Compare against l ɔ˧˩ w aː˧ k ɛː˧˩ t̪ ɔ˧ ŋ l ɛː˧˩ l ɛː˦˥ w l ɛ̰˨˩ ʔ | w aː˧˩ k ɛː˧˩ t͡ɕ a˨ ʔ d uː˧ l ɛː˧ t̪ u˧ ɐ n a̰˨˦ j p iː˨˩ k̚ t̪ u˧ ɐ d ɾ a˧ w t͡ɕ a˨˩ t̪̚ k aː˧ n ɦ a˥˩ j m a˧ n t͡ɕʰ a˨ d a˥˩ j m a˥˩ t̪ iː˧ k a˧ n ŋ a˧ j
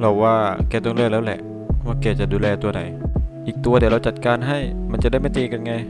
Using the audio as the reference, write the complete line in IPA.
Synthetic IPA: l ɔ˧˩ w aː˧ k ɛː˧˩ t̪ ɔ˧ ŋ l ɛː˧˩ l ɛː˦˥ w l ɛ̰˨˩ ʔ | w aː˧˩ k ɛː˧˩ t͡ɕ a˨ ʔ d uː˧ l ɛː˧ t̪ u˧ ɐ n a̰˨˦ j ʔ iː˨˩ k̚ t̪ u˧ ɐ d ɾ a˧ w t͡ɕ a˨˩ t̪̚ k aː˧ n ɦ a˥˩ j m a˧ n t͡ɕ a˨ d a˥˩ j m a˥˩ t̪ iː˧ k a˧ n ŋ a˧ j